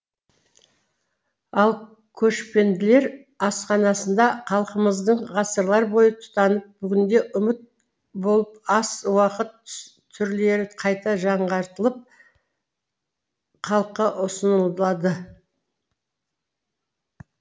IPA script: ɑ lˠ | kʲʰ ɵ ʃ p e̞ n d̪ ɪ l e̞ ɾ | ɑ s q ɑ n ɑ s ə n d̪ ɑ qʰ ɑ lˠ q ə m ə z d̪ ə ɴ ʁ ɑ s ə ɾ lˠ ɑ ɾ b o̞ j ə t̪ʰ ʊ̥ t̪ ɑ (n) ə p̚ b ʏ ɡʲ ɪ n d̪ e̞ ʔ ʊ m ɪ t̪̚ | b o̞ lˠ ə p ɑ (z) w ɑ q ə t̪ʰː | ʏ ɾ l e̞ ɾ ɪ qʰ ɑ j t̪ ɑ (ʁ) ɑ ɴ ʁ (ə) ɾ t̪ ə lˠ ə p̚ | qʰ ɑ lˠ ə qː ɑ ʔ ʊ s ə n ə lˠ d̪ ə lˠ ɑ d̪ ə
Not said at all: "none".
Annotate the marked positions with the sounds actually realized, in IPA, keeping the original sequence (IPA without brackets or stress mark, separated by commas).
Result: n, s, ʒ, ɑ